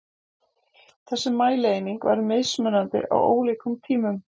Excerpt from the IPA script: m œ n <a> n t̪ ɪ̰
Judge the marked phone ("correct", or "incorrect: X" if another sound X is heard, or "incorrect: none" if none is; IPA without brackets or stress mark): correct